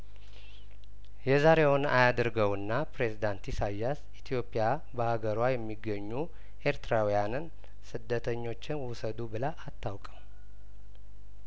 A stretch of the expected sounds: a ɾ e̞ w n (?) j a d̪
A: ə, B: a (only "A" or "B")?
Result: B